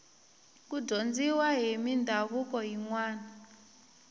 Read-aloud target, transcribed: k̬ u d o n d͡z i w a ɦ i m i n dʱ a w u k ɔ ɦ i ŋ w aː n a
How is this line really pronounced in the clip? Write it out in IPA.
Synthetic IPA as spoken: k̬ u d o n d͡z i w a ɦ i m i n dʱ a β u k ɔ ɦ i ŋ w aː n a